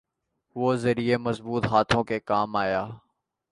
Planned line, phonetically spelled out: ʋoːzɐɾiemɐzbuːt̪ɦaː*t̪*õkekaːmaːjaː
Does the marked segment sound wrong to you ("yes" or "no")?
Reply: yes